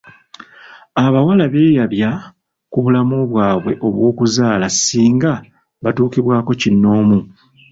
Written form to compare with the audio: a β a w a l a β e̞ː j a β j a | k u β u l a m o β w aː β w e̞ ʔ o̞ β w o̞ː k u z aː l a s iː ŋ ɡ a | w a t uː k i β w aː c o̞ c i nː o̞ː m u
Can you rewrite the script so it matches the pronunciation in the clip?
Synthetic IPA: a β a w a l a β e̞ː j a β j a | k u β u l a m o β w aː β w e̞ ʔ o̞ β w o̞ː k u z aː l a s iː ŋ ɡ a | β a t uː k i β w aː k o̞ c i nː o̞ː m u

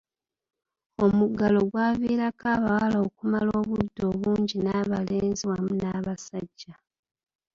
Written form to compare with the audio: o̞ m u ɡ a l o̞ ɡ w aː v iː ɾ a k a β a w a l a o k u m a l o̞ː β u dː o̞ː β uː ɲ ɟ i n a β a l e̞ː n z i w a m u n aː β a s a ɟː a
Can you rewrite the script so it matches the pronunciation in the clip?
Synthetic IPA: o̞ m u ɡ a l o̞ ɡ w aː v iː ɾ a k a β a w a l a o k u m a l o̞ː β u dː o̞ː β uː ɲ ɟ i n a β a l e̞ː n z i w a m u n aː β a s a ɟː a

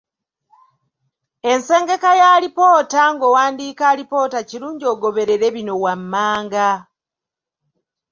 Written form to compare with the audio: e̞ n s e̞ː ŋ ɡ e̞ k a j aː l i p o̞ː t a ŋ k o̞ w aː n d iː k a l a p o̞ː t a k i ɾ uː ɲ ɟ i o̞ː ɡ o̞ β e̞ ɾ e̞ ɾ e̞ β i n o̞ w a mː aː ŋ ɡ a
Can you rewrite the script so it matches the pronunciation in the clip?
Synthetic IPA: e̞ n s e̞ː ŋ ɡ e̞ k a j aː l i p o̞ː t a ŋ ɡ o̞ w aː n d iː k a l i p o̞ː t a c i ɾ uː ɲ ɟ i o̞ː ɡ o̞ β e̞ ɾ e̞ ɾ e̞ β i n o̞ w a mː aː ŋ ɡ a

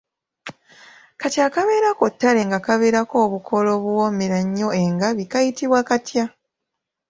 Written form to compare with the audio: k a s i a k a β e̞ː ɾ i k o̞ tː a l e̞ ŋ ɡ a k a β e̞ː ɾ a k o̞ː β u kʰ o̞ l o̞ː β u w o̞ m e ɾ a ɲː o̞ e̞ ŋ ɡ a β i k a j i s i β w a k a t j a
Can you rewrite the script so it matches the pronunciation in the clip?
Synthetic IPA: k a t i a k a β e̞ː ɾ a k o̞ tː a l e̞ ŋ ɡ a k a β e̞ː ɾ a k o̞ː β u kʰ o̞ l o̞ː β u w o̞ m e ɾ a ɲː o̞ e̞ ŋ ɡ a β i k a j i t i β w a k a t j a

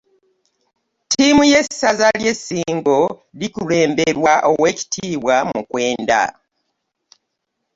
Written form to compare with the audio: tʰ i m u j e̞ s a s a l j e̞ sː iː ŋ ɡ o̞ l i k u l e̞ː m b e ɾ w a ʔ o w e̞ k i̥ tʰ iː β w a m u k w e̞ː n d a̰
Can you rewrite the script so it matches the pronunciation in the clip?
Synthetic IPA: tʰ i m u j e̞ s a z a l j e̞ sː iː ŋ ɡ o̞ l i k u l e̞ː m b e ɾ w a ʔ o w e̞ c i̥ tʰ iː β w a m u k w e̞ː n d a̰

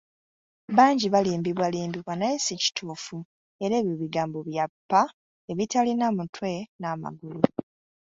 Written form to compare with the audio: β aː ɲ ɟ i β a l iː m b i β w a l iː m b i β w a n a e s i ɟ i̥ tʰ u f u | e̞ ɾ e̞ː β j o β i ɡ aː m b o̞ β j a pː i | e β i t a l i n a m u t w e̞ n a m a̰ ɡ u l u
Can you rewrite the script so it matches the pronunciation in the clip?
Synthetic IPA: β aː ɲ ɟ i β a l iː m b i β w a l iː m b i β w a n a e s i c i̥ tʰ uː f u | e̞ ɾ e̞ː β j o β i ɡ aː m b o̞ β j a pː a | e β i t a l i n a m u t w e̞ n a m a̰ ɡ u l u

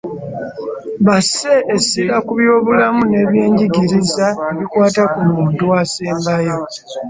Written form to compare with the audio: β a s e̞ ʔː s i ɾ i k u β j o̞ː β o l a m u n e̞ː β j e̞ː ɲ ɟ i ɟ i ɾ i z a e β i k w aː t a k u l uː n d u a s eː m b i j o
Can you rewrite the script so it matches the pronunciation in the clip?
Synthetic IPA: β a s e̞ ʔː s i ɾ a k u β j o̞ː β u l a m u n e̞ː β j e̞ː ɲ ɟ i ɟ i ɾ i z a e β i k w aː t a k u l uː n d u a s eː m b a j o

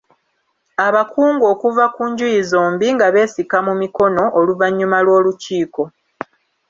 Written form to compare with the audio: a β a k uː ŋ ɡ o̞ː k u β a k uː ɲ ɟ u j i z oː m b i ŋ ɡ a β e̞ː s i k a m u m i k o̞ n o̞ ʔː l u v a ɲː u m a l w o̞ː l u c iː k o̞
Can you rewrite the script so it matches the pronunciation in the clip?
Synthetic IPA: a β a k uː ŋ ɡ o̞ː k u v a k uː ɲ ɟ u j i z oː m b i ŋ ɡ a β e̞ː s i k a m u m i k o̞ n o̞ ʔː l u v a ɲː u m a l w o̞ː l u c iː k o̞

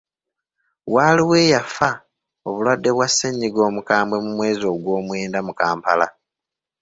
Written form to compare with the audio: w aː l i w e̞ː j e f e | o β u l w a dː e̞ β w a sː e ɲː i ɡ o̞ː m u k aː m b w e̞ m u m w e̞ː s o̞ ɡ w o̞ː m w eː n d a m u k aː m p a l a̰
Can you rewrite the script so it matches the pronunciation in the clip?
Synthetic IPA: w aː l i w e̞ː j a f a | o β u l w a dː e̞ β w a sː e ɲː i ɡ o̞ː m u k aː m b w e̞ m u m w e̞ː z o̞ ɡ w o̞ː m w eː n d a m u k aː m p a l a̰

